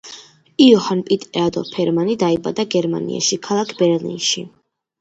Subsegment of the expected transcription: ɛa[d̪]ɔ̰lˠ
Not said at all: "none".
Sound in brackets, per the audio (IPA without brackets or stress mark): d̪